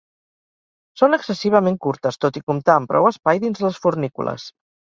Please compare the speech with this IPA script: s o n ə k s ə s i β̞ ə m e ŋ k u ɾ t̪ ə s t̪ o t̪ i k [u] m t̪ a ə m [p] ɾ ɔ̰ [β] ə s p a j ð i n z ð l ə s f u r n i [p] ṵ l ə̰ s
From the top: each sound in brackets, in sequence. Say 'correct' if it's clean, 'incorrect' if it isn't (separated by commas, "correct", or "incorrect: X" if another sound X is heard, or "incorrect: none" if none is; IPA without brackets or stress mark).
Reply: correct, correct, incorrect: w, incorrect: k